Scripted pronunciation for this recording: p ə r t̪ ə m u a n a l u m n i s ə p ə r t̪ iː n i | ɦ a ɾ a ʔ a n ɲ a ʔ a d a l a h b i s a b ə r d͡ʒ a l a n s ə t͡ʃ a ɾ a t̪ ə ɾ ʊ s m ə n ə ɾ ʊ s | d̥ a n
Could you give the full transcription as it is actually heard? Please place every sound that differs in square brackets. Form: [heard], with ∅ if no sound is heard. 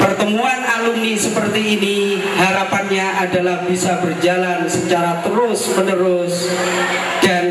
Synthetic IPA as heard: p ə r t̪ ə m u a n a l u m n i s ə p ə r t̪ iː n i | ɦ a ɾ a [p] a n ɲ a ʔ a d a l a h b i s a b ə r d͡ʒ a l a n s ə t͡ʃ a ɾ a t̪ ə ɾ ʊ s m ə n ə ɾ ʊ s | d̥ a n